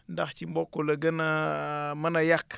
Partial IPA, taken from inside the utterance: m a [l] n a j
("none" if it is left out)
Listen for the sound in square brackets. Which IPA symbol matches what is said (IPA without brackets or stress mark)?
none